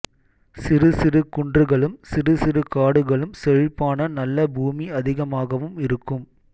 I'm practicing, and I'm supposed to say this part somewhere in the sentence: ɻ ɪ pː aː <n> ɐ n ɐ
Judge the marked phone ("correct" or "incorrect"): correct